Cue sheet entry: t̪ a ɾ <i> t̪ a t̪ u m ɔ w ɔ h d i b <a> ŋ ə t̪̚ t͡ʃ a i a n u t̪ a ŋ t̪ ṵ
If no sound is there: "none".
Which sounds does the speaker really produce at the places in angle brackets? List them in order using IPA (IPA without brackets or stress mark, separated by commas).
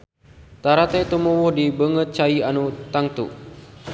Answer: a, ə